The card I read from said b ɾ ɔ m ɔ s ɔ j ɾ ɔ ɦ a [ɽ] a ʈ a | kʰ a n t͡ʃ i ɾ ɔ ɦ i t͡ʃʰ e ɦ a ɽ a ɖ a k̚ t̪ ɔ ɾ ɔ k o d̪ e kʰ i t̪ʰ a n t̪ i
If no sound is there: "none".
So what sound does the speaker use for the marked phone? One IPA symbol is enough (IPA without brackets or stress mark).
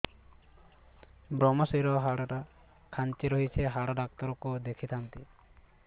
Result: ɽ